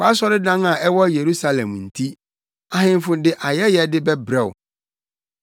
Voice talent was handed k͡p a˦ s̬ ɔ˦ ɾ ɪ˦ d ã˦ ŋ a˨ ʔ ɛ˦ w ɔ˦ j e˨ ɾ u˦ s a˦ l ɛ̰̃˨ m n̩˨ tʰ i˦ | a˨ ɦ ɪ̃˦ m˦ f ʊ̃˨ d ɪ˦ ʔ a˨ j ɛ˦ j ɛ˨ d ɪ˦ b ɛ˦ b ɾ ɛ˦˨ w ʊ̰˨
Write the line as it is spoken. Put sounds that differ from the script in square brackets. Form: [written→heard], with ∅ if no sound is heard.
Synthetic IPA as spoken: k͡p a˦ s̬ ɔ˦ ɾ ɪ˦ d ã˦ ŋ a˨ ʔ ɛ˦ w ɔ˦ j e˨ ɾ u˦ s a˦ l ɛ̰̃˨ m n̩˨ tʰ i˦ | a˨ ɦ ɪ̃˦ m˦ f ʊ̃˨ d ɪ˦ ʔ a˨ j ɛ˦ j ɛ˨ d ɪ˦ b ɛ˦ b ɾ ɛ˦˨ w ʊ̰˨

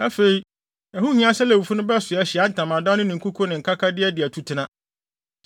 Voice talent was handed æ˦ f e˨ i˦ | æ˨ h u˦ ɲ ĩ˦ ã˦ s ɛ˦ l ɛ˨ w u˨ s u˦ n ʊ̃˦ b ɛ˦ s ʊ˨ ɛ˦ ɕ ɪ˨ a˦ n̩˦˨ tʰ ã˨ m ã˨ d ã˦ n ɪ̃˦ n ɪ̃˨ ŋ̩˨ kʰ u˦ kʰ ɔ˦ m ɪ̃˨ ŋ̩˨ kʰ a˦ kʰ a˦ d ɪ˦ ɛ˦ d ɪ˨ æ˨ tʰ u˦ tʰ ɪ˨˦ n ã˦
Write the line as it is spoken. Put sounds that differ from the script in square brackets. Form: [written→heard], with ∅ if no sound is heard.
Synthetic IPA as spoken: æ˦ f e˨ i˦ | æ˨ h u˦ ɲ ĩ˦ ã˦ s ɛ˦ l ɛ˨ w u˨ [s→f] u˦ n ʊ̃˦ b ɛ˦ s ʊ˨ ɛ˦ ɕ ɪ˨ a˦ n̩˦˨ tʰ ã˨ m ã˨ d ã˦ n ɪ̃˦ n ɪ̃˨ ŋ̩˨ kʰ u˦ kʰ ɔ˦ [m→n] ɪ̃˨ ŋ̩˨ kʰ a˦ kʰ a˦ d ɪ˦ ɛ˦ d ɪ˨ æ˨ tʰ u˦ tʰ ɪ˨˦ n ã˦

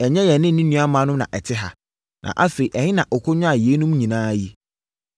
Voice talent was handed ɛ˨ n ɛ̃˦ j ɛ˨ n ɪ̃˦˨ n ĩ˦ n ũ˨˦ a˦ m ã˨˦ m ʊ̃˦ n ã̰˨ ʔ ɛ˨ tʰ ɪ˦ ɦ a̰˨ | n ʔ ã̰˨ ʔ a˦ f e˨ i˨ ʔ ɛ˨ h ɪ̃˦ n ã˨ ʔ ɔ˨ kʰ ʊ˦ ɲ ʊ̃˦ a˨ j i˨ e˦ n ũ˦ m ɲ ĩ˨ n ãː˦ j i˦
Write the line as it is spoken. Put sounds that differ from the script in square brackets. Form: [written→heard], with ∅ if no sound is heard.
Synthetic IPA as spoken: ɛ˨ [n→ɲ] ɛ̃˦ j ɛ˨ n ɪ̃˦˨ n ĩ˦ n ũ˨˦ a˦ m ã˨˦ [m→n] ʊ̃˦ n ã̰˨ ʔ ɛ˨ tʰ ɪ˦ ɦ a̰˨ | n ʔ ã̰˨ ʔ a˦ f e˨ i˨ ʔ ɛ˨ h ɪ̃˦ n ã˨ ʔ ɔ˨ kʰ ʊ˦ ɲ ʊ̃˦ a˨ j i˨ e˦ n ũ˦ m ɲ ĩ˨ n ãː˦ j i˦

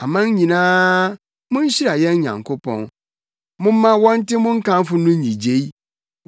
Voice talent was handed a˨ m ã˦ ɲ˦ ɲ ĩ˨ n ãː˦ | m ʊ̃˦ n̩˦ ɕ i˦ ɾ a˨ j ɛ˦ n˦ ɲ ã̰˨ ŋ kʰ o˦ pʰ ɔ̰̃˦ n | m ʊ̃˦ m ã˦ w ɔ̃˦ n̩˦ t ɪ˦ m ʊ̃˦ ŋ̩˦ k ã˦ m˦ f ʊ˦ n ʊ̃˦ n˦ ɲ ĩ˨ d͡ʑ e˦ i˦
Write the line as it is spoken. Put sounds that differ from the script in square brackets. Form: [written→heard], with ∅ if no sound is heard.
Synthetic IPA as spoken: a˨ m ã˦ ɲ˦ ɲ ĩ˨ n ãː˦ | m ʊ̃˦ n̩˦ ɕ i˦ ɾ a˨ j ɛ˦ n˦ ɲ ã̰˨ ŋ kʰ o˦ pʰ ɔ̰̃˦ n | m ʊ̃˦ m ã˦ w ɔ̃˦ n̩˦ t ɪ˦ m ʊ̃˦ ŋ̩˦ k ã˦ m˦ f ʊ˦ n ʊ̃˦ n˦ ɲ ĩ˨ d͡ʑ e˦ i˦

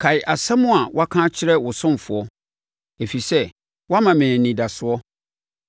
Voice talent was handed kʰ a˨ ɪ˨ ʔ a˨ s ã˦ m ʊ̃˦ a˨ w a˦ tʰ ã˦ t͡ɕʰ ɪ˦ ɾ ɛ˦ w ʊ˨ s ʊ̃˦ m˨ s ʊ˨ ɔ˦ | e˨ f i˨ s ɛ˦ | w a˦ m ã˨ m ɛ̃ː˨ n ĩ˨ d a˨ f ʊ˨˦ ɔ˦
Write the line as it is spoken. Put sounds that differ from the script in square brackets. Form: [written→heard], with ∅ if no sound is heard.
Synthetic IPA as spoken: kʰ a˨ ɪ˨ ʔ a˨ s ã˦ m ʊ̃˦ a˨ w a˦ [tʰ→kʰ] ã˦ t͡ɕʰ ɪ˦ ɾ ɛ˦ w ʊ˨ s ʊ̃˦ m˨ [s→f] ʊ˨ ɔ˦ | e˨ f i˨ s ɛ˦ | w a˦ m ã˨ m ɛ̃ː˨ n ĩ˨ d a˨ [f→s] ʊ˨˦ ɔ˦

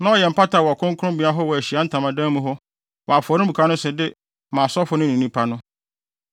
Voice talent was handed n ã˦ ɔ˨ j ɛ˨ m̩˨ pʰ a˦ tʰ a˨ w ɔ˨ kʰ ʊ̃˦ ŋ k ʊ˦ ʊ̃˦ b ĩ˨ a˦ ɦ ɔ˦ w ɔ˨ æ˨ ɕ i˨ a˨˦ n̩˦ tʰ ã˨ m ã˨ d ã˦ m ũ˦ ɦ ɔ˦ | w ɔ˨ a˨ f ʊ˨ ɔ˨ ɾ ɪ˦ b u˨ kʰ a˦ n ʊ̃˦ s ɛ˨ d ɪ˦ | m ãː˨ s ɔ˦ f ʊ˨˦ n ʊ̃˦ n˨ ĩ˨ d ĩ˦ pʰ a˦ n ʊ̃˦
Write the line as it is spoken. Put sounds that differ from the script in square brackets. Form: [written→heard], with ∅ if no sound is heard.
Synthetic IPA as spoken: n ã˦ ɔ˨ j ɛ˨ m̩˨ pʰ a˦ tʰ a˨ w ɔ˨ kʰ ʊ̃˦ ŋ k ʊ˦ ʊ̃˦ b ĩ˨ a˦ ɦ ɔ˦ w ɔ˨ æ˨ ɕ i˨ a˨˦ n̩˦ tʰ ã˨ m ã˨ d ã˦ m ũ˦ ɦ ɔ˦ | w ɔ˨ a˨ f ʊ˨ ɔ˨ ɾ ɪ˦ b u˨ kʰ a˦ n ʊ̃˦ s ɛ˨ d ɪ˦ | m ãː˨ s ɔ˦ f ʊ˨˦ n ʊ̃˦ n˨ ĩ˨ [d→n] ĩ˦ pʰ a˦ n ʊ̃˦

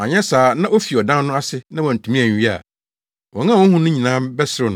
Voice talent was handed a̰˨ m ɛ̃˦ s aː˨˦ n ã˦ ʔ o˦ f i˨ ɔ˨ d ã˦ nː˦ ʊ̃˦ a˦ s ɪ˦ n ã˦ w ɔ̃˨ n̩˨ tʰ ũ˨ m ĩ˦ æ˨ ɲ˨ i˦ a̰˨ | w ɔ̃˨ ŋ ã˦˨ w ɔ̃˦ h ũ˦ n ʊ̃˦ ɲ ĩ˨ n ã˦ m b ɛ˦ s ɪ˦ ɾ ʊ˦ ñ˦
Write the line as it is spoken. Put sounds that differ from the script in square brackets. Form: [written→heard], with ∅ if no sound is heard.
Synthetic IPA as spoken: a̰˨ [m→ɲ] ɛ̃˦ s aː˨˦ n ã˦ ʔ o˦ f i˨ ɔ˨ d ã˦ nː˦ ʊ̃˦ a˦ s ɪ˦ n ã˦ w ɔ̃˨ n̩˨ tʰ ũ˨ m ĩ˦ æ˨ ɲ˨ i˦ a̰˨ | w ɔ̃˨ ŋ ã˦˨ w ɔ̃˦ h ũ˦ n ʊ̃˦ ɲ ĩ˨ n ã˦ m b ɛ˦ s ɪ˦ ɾ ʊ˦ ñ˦

